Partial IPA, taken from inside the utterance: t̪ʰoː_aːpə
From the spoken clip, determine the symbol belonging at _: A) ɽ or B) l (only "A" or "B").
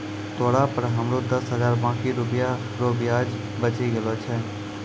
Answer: A